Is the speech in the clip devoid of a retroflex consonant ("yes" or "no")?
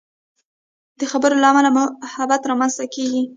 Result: yes